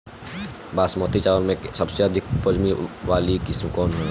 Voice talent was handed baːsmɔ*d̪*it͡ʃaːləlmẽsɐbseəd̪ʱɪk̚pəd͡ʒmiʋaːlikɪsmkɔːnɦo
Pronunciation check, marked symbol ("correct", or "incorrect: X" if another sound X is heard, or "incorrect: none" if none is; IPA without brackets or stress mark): incorrect: t̪